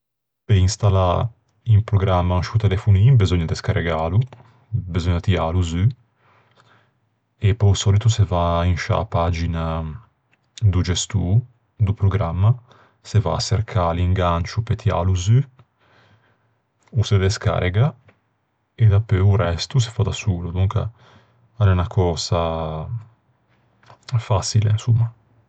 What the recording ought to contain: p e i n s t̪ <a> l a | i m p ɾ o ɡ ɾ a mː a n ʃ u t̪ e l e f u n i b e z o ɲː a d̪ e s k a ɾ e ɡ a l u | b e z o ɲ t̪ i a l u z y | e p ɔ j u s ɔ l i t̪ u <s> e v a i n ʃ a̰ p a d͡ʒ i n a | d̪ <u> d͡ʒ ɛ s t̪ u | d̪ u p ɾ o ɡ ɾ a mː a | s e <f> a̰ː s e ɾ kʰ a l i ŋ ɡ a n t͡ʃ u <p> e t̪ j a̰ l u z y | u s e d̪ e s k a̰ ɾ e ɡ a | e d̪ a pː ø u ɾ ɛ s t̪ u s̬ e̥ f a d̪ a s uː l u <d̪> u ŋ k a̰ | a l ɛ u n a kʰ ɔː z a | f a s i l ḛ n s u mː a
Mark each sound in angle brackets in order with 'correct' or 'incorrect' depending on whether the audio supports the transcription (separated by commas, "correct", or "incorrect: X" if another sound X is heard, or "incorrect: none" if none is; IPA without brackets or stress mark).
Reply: correct, correct, correct, incorrect: v, correct, correct